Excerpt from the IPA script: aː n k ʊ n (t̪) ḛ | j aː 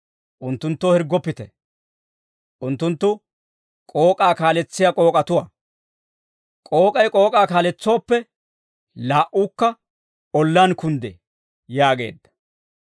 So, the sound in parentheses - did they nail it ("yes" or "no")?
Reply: no